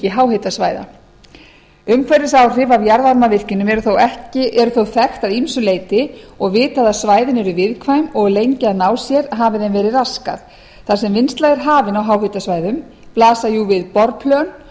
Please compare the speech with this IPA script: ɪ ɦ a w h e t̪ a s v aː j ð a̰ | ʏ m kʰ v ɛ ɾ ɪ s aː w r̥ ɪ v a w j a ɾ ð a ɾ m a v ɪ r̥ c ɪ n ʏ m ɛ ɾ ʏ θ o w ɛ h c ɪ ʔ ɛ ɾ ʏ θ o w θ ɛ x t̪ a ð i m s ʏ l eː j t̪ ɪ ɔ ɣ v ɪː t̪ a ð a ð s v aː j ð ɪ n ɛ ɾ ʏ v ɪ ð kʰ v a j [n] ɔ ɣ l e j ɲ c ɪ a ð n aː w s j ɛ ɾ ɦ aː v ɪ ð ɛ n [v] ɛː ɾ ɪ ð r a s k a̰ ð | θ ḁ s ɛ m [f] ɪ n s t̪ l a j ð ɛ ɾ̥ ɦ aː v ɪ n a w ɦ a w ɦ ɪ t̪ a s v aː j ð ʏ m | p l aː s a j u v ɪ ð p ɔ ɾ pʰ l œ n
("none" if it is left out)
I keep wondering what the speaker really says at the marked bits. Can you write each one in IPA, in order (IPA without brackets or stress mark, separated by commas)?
m, v, v